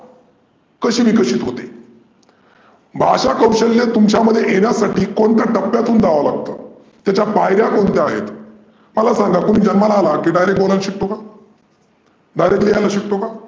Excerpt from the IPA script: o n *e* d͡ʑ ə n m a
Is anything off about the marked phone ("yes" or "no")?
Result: yes